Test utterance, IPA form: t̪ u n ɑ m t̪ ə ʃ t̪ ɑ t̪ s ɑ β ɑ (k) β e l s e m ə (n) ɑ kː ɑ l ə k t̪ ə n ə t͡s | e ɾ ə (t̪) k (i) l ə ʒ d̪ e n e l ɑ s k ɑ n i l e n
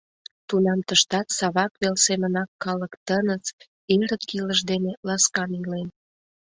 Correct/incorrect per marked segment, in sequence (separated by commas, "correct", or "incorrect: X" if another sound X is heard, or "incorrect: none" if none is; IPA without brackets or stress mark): correct, correct, correct, correct